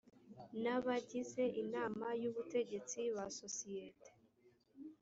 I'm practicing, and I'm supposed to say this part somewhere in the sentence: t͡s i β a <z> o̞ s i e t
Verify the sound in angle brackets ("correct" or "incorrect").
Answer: incorrect